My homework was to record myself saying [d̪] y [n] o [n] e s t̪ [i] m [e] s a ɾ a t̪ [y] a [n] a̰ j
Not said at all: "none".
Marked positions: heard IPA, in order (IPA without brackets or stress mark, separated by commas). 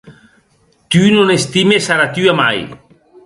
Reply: t̪, n, n, i, e, y, m